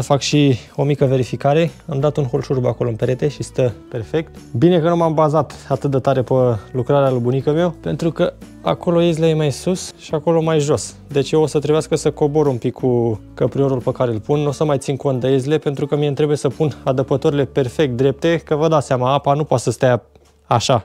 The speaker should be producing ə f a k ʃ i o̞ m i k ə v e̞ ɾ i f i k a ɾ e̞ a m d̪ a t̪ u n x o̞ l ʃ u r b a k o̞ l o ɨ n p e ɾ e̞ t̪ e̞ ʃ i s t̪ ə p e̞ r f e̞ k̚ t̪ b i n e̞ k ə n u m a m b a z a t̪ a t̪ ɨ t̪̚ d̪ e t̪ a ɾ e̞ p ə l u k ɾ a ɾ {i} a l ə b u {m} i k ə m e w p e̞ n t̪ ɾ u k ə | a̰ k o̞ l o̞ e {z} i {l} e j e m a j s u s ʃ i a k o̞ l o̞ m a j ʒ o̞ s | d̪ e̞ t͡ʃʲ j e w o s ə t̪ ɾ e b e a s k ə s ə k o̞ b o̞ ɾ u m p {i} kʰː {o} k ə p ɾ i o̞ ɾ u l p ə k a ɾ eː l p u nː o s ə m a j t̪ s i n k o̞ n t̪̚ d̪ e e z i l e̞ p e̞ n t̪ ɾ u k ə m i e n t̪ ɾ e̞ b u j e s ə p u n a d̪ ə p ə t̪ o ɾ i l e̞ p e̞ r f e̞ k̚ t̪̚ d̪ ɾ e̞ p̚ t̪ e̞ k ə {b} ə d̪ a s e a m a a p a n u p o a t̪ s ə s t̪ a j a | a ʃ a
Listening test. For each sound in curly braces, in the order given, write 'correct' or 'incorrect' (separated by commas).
incorrect, incorrect, correct, correct, correct, incorrect, incorrect